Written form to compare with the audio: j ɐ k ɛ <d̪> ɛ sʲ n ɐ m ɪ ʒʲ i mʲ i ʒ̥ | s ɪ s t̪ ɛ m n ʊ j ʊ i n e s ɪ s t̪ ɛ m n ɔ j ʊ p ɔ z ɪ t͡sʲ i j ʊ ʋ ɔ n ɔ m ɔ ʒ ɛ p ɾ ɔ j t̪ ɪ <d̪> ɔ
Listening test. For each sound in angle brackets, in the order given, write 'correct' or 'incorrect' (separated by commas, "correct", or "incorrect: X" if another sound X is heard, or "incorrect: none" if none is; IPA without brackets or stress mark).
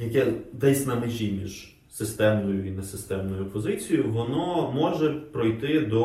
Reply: correct, correct